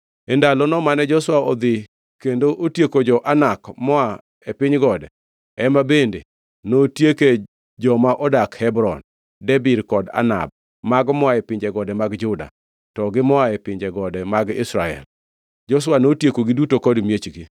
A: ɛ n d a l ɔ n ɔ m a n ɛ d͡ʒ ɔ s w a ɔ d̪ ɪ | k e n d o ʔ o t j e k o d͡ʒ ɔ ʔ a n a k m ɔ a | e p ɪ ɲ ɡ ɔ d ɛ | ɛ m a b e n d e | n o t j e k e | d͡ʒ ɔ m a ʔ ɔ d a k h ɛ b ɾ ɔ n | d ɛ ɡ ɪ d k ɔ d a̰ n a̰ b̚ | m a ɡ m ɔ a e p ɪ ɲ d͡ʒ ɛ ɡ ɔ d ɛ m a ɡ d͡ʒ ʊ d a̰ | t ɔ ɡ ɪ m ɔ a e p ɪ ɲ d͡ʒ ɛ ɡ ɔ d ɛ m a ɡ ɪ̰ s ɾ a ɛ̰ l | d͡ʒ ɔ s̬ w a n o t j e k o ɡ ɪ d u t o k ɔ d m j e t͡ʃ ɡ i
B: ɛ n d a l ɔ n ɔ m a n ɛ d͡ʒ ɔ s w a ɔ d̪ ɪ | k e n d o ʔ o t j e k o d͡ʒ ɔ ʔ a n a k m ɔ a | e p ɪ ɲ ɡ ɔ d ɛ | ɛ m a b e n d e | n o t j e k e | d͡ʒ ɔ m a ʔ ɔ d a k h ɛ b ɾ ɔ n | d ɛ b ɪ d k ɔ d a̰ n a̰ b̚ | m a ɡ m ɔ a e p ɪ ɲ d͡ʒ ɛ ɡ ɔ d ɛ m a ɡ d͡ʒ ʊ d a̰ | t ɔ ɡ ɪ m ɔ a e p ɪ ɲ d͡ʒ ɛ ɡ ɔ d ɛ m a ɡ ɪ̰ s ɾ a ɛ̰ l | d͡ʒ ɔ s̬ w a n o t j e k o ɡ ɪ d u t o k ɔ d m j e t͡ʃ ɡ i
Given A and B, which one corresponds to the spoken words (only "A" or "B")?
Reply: B